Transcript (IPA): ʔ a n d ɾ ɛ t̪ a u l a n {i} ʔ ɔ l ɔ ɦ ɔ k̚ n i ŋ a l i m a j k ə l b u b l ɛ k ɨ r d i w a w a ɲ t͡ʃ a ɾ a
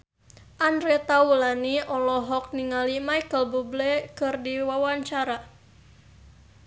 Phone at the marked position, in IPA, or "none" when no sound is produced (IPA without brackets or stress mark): i